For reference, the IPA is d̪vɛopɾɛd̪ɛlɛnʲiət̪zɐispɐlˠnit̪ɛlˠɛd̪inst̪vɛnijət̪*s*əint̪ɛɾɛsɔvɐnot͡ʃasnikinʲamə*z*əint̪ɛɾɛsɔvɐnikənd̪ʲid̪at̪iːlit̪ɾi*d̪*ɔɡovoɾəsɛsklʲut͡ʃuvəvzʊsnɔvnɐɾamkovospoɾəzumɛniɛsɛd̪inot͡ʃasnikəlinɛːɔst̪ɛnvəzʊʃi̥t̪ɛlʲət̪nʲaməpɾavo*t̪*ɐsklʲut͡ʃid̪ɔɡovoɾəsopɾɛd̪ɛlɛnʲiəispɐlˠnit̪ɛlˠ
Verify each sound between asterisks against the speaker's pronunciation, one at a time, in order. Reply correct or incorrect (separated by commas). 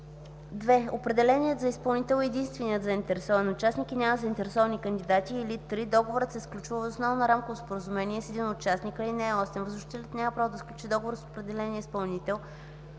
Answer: incorrect, correct, correct, incorrect